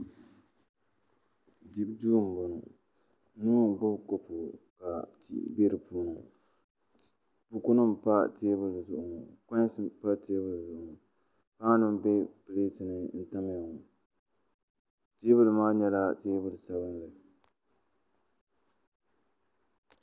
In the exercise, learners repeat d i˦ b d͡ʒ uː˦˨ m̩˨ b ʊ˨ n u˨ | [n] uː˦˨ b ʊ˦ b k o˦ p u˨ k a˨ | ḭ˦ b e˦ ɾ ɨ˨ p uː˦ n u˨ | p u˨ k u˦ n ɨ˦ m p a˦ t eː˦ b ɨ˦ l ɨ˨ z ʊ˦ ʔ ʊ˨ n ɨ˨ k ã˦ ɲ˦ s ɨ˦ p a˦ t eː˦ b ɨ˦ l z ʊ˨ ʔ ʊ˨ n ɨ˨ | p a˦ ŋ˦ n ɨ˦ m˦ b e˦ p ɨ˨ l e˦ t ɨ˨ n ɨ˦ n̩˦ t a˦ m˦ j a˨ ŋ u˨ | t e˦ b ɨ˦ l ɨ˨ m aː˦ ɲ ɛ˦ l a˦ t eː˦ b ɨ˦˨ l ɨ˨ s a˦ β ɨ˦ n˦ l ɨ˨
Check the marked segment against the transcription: correct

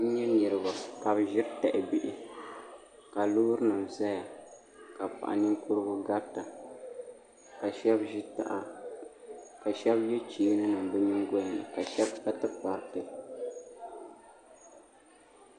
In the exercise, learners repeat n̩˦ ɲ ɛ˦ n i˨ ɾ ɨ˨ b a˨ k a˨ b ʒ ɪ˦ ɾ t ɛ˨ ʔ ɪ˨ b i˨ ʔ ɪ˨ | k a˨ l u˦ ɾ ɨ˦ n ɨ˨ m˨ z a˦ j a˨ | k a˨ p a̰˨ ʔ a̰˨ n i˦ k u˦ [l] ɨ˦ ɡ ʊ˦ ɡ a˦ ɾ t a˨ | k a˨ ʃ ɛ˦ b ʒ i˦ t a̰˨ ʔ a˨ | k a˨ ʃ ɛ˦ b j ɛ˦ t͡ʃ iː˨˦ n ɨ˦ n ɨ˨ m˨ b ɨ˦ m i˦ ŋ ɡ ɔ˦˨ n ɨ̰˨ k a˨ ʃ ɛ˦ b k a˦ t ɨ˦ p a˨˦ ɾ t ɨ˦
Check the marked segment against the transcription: incorrect: ɾ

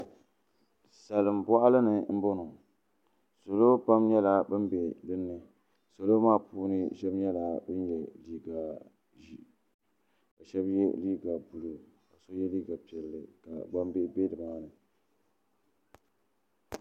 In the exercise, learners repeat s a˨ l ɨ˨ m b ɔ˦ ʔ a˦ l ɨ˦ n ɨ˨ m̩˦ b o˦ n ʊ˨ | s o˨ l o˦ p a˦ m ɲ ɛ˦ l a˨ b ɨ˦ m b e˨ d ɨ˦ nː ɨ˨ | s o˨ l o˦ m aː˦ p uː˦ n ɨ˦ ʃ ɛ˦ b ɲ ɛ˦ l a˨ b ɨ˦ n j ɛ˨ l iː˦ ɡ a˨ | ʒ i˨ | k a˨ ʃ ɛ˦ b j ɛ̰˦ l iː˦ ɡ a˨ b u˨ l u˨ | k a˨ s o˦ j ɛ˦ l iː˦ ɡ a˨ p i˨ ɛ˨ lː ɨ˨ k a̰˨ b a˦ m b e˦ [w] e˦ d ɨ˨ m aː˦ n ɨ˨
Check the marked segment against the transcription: incorrect: b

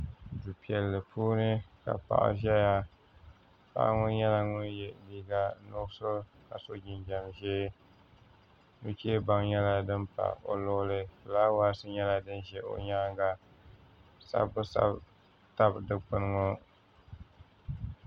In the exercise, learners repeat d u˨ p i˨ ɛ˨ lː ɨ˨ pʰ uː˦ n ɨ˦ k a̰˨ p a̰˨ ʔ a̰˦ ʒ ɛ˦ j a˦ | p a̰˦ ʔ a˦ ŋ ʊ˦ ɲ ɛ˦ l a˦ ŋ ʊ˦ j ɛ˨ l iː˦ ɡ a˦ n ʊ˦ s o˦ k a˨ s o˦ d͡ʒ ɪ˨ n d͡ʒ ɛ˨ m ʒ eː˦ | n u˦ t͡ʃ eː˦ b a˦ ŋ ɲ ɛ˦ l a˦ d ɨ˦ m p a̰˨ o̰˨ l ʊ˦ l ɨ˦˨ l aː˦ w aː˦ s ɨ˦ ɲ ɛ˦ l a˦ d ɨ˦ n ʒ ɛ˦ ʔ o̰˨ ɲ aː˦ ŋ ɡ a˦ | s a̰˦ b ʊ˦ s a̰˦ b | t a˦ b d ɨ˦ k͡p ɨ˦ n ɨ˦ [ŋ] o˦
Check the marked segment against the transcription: correct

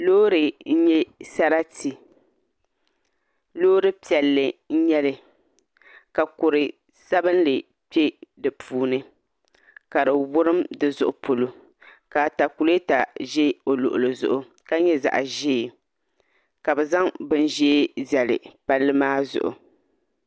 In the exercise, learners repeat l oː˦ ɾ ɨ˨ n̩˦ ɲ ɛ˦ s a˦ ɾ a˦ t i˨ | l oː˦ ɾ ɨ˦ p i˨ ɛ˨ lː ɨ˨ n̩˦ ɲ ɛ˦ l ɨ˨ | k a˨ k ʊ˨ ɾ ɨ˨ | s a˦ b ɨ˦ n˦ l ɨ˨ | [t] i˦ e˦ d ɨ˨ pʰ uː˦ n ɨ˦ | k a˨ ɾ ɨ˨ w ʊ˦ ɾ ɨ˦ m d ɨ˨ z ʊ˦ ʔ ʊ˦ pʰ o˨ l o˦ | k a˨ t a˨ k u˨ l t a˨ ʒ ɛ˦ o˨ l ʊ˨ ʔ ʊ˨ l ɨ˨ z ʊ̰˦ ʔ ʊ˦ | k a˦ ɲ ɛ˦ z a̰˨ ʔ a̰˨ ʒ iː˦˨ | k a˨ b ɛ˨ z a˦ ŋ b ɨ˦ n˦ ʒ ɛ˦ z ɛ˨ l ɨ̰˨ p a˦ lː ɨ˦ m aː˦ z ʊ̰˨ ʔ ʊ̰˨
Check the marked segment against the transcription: incorrect: p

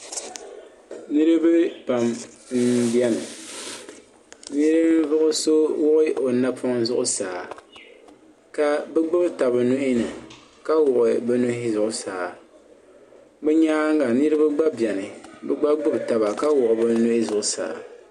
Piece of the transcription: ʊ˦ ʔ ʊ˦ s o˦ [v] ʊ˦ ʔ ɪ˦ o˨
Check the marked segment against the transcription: incorrect: w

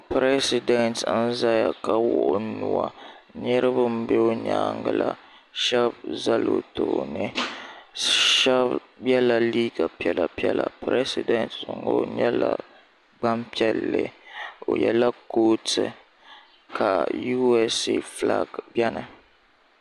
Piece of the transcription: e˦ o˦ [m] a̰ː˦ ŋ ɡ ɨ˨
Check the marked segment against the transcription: incorrect: ɲ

